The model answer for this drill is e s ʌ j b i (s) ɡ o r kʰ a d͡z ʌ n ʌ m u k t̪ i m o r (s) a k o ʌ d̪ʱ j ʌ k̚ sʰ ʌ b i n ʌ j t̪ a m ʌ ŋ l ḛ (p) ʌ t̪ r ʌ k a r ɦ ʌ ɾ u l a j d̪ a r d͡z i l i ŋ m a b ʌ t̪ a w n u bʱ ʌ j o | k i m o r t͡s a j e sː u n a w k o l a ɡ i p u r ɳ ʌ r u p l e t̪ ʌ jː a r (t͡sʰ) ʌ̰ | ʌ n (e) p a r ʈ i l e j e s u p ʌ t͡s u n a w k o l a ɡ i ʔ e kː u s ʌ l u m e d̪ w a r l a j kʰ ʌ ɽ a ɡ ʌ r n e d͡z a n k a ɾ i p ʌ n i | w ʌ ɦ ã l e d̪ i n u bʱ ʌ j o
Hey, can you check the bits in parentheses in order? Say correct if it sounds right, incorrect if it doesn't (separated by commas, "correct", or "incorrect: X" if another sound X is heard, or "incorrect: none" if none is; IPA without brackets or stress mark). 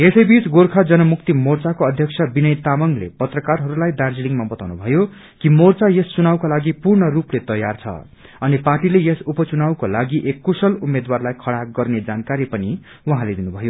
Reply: incorrect: t͡s, incorrect: t͡s, correct, correct, incorrect: i